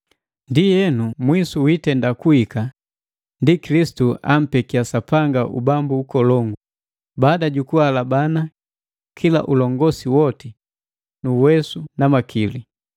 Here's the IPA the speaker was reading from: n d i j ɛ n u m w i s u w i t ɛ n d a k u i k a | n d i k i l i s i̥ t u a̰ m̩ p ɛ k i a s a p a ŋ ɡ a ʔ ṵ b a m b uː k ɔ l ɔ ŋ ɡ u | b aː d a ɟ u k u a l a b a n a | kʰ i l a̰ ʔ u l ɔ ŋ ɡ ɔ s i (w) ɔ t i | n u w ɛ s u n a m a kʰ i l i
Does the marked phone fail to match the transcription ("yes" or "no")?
no